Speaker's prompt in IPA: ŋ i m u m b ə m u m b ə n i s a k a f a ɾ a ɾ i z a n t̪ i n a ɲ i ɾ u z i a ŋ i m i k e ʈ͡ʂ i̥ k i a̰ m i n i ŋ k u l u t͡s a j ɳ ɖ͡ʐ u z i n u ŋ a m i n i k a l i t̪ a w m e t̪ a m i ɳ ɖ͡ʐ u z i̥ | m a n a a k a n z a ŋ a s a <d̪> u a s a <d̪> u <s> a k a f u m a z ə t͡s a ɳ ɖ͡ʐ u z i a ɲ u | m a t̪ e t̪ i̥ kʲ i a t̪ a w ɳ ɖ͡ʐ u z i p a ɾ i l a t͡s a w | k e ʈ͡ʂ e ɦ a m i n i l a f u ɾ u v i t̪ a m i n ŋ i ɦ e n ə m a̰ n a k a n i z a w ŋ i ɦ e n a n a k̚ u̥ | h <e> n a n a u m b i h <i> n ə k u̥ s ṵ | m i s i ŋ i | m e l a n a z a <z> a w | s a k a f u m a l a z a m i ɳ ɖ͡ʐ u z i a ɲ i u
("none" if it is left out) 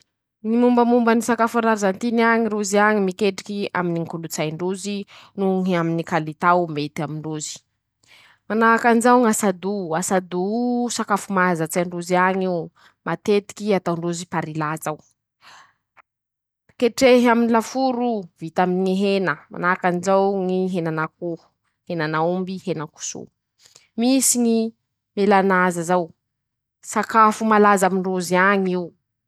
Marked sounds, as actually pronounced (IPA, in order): d̪, d̪, s, e, e, z

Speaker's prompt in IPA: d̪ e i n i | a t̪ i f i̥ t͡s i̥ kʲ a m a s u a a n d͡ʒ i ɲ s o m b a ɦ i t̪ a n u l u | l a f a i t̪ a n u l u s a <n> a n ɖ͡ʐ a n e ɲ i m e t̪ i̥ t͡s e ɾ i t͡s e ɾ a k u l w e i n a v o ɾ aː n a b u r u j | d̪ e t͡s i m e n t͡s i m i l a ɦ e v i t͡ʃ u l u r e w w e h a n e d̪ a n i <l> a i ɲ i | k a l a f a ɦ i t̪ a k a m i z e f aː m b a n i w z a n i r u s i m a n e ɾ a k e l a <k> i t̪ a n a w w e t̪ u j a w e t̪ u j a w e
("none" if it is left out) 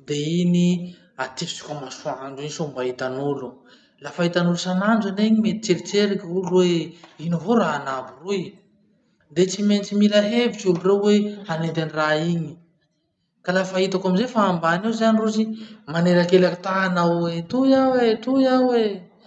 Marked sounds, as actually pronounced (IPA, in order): n, r, k

